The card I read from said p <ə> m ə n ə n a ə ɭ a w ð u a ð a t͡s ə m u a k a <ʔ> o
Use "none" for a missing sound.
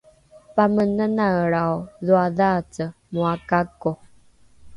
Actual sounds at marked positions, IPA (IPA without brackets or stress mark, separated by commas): a, k